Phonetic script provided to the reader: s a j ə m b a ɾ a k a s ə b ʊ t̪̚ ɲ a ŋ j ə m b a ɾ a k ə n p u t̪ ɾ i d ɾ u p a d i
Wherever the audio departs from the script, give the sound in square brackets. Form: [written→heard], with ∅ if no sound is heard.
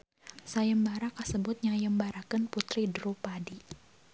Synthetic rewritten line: s a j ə m b a ɾ a k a s ə b ʊ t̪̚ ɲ a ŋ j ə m b a ɾ a k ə n p u t̪ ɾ i d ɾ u p a d i

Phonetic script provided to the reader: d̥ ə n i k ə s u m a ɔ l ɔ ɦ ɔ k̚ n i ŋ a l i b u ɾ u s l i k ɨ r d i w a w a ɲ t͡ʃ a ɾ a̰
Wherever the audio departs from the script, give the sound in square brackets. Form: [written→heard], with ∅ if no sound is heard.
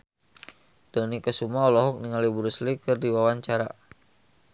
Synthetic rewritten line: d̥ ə n i k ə s u m a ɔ l ɔ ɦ ɔ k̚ n i ŋ a l i b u ɾ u s l i k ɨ r d i w a w a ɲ t͡ʃ a ɾ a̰

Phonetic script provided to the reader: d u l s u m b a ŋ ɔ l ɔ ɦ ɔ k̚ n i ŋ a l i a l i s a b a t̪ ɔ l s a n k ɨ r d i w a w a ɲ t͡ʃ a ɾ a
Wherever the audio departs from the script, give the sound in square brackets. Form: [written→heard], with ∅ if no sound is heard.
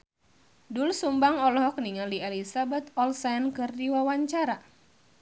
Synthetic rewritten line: d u l s u m b a ŋ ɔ l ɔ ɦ ɔ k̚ n i ŋ a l i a l i s a b a t̪ ɔ l s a n k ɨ r d i w a w a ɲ t͡ʃ a ɾ a

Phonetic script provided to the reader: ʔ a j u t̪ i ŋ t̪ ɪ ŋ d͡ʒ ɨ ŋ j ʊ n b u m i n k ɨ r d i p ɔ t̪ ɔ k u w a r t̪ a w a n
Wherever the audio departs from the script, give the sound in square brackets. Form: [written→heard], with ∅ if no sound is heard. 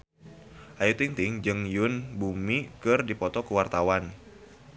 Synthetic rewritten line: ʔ a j u t̪ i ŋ t̪ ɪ ŋ d͡ʒ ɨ ŋ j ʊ n b u m i [n→∅] k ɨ r d i p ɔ t̪ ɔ k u w a r t̪ a w a n

